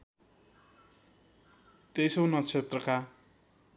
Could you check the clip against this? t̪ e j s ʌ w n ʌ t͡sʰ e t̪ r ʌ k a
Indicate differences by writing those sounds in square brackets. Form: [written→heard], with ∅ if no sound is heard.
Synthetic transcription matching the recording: t̪ e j s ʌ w n ʌ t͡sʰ e t̪ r ʌ k a